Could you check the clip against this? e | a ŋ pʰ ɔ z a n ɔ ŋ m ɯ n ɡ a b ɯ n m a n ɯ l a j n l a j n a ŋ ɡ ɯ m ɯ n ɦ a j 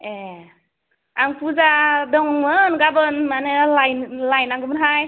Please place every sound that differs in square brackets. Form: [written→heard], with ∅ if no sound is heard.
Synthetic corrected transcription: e | a ŋ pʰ [ɔ→u] z a [n→d] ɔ ŋ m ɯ n ɡ a b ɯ n m a n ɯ l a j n l a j n a ŋ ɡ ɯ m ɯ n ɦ a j